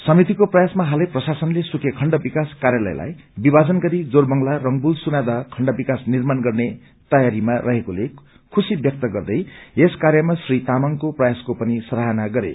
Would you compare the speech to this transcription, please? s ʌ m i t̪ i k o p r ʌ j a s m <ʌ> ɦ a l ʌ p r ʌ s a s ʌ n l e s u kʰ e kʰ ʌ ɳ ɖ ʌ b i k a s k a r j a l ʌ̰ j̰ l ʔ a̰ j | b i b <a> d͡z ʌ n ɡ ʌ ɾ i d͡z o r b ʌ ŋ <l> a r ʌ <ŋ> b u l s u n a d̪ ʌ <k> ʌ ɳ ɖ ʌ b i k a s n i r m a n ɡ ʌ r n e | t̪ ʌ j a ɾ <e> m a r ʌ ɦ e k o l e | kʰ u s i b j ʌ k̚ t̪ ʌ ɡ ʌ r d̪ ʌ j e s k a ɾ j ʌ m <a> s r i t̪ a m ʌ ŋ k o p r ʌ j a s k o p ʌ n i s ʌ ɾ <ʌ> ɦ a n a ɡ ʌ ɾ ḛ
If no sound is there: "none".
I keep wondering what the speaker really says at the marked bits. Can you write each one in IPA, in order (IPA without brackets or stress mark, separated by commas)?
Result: a, a, l, ŋ, kʰ, i, a, a